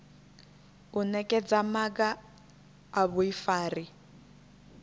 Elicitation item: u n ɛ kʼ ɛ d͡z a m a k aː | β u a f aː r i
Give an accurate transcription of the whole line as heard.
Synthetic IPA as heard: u n ɛ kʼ ɛ d͡z a m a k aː | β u i f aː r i